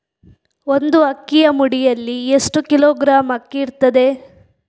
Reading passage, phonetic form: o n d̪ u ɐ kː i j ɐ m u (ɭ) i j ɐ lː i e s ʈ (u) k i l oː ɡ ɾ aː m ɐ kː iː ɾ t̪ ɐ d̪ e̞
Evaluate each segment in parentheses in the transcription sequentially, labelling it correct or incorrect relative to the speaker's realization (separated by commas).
incorrect, correct